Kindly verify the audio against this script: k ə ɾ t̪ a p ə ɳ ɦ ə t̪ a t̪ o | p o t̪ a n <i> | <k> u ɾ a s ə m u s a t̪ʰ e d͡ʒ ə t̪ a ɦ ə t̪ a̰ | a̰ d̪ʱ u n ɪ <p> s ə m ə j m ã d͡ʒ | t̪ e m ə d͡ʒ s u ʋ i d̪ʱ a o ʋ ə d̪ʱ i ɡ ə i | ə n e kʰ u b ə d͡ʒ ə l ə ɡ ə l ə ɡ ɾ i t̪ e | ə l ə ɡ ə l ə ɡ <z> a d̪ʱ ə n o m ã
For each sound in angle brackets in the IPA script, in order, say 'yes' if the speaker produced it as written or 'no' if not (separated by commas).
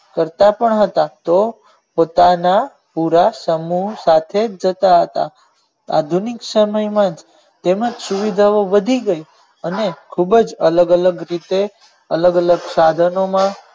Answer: no, no, no, no